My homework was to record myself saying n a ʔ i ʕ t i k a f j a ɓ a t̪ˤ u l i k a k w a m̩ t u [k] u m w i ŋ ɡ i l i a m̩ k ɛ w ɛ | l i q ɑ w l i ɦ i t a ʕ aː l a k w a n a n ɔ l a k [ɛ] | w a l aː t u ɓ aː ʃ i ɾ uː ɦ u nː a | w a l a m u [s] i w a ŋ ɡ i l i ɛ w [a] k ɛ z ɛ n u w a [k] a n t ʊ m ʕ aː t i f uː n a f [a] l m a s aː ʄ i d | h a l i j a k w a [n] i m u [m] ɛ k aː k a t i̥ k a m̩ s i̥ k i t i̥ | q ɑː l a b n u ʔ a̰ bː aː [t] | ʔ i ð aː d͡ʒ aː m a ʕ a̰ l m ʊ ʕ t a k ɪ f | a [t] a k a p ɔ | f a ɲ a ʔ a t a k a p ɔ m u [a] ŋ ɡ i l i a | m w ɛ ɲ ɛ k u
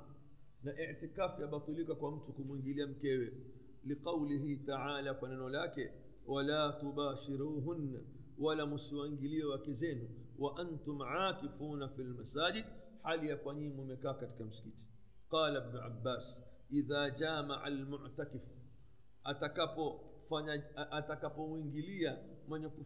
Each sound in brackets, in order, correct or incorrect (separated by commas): correct, correct, correct, correct, incorrect, incorrect, incorrect, correct, incorrect, correct, incorrect